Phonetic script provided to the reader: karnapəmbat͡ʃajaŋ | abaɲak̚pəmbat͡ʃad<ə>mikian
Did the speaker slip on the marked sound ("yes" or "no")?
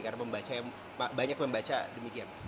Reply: no